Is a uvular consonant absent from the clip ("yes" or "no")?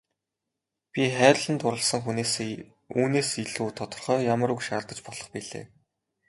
no